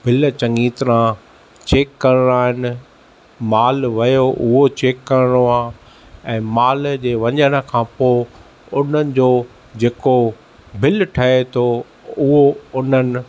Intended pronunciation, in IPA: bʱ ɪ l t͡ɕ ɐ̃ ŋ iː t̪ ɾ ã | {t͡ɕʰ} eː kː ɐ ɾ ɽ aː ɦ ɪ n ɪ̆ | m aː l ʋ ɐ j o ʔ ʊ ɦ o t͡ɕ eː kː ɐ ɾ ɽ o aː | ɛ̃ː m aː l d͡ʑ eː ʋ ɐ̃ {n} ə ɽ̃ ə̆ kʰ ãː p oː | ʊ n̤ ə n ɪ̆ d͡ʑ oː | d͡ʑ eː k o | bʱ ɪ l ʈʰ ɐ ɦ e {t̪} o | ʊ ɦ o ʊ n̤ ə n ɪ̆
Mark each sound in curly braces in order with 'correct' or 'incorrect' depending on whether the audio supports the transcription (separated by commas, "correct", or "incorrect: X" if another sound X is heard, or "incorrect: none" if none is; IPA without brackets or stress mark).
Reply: incorrect: t͡ɕ, incorrect: ɲ, incorrect: t̪ʰ